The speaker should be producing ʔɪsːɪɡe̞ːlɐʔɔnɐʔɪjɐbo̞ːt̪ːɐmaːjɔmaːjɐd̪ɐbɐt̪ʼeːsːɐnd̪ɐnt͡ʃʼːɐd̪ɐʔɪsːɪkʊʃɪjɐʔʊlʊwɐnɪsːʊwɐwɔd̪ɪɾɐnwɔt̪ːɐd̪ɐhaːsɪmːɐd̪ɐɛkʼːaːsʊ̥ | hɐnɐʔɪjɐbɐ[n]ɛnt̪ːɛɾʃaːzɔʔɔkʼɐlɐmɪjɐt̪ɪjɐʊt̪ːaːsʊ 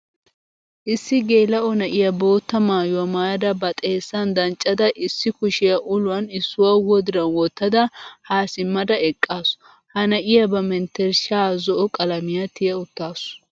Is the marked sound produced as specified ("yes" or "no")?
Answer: no